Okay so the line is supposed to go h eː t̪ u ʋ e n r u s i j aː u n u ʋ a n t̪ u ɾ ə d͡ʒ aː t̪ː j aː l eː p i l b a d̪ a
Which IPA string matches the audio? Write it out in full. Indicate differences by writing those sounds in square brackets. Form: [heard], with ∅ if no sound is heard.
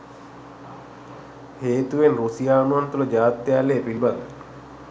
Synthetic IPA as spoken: h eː t̪ u ʋ e n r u s i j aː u n u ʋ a n t̪ u [l] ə d͡ʒ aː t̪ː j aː l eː p i l b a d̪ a